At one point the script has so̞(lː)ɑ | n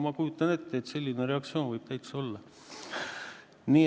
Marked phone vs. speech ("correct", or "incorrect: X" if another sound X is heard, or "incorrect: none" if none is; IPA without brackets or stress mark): correct